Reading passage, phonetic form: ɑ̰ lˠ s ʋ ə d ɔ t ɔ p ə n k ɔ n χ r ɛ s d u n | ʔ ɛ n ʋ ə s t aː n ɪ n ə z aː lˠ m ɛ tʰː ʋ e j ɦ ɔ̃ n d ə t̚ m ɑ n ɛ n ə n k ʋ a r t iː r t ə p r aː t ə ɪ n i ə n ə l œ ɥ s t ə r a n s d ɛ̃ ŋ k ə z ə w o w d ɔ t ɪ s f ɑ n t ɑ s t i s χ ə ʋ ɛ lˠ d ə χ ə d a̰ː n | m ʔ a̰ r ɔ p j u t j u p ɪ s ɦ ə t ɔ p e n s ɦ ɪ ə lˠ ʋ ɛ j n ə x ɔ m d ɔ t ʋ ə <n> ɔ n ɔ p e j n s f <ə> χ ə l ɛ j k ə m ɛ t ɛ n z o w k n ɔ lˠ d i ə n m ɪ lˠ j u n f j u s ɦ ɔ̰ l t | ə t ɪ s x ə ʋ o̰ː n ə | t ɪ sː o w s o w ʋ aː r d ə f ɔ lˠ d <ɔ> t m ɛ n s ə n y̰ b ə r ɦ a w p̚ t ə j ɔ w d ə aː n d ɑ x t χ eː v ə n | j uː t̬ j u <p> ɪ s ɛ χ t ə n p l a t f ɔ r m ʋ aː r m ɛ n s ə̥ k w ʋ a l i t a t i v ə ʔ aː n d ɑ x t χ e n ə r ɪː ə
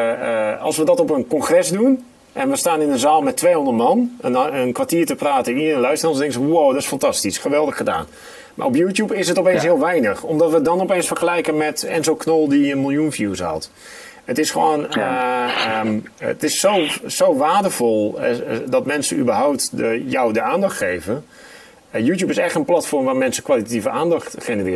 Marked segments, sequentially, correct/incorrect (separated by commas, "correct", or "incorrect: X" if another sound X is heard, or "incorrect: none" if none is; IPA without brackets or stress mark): incorrect: d, correct, correct, correct